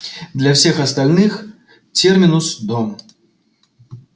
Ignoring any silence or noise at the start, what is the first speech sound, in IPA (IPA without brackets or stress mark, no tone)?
d̪